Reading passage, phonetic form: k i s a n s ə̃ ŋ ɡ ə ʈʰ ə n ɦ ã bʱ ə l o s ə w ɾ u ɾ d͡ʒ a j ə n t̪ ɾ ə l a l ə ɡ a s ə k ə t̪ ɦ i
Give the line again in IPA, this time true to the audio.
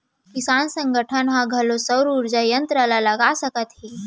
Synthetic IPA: k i s a n s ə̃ ŋ ɡ ə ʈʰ ə n ɦ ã ɡʱ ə l o s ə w ɾ u ɾ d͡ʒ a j ə n t̪ ɾ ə l a l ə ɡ a s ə k ə t̪ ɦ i

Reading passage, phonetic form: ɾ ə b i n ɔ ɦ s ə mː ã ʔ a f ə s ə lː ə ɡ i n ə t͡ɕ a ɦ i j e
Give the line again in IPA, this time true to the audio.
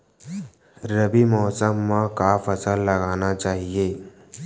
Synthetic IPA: ɾ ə b i m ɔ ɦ s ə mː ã k a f ə s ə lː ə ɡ a n a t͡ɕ a ɦ i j e

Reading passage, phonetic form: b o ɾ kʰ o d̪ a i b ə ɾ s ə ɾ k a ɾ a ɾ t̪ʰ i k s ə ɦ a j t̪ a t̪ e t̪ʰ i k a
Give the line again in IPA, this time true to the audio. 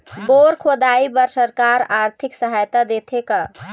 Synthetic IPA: b o ɾ kʰ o d̪ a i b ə ɾ s ə ɾ k a ɾ a ɾ t̪ʰ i k s ə ɦ a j t̪ a d̪ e t̪ʰ e k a

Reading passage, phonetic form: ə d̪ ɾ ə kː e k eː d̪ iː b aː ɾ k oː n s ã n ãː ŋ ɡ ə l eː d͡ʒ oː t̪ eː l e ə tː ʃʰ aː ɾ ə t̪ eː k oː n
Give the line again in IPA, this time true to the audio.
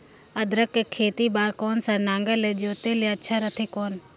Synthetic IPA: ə d̪ ɾ ə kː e kʰ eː t̪ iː b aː ɾ k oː n s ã n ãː ŋ ɡ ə l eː d͡ʒ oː t̪ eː l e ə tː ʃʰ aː ɾ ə t̪ʰ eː k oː n

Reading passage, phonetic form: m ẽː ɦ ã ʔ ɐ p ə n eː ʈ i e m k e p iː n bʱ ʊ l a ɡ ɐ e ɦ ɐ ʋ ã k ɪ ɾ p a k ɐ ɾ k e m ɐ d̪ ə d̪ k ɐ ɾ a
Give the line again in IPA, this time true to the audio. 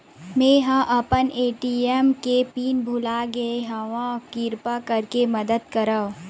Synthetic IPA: m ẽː ɦ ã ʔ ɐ p ə n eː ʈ i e m k e p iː n bʱ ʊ l a ɡ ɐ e ɦ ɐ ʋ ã k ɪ ɾ p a k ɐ ɾ k e m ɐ d̪ ə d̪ k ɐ ɾ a

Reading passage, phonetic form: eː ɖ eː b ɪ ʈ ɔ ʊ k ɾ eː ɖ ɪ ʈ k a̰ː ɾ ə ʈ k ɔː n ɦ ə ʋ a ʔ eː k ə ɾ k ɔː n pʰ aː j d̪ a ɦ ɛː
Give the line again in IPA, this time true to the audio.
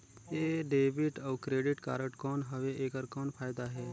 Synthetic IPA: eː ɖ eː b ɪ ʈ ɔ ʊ k ɾ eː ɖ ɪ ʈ k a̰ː ɾ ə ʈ k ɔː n ɦ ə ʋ e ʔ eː k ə ɾ k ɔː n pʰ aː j d̪ a ɦ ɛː

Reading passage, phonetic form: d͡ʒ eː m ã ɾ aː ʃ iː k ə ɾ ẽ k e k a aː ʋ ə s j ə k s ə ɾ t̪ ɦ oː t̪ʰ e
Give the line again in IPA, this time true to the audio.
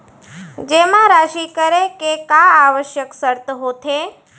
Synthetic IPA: d͡ʒ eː m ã ɾ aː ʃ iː k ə ɾ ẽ k e k a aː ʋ ə ʃ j ə k s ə ɾ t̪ ɦ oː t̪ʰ e

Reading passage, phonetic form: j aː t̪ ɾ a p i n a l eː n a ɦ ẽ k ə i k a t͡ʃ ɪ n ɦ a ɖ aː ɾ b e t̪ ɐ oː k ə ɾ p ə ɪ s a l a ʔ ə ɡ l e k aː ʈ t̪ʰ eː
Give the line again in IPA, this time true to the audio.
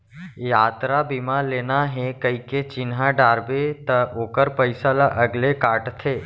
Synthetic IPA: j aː t̪ ɾ a b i m a l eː n a ɦ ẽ k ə i k e t͡ʃ ɪ n ɦ a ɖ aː ɾ b e t̪ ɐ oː k ə ɾ p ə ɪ s a l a ʔ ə ɡ l e k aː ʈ t̪ʰ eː

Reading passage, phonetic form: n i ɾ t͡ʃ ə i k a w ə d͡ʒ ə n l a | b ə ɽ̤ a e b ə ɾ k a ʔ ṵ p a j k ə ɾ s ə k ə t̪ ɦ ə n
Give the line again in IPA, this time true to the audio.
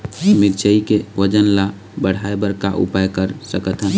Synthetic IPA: m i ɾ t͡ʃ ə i k e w ə d͡ʒ ə n l a | b ə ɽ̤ a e b ə ɾ k a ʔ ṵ p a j k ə ɾ s ə k ə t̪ ɦ ə n

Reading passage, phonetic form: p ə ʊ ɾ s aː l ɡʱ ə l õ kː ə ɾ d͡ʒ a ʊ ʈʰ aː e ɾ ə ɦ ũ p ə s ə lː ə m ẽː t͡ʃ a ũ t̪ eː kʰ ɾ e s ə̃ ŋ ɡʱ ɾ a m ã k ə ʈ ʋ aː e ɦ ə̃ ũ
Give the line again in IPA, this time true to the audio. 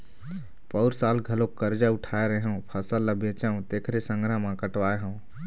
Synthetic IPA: p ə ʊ ɾ s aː l ɡʱ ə l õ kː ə ɾ d͡ʒ a ʊ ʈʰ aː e ɾ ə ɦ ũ pʰ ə s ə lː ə b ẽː t͡ʃ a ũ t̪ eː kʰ ɾ e s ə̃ ŋ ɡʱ ɾ a m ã k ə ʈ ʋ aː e ɦ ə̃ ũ

